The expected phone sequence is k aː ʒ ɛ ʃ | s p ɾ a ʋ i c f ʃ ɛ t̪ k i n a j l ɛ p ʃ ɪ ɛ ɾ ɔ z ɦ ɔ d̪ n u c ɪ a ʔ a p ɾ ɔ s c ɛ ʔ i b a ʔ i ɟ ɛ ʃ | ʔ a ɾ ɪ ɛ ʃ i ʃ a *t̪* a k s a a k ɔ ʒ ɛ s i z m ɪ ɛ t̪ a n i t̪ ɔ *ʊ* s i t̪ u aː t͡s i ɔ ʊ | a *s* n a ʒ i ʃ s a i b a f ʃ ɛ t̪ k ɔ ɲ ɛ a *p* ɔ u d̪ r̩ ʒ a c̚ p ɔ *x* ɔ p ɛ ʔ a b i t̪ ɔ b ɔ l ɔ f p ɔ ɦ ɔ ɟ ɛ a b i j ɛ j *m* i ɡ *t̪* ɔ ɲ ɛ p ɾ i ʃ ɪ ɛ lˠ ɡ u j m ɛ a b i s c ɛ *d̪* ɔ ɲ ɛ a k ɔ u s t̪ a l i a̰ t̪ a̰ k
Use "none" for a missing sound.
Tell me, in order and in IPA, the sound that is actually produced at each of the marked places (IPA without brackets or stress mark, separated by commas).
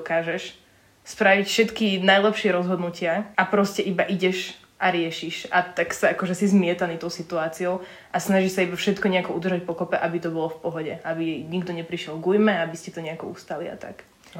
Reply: t̪, ʊ, s, k, k, ɲ, d̪, t̪